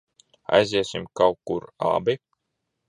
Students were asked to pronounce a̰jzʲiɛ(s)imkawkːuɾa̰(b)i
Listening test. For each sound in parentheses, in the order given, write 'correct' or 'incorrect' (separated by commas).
correct, correct